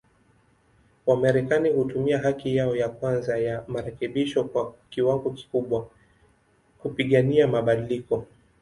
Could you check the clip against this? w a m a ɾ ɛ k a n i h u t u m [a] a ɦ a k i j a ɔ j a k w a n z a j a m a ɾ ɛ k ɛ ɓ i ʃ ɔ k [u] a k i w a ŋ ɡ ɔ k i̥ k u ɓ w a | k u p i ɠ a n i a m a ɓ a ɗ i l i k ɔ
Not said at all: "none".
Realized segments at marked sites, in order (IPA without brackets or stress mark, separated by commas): i, w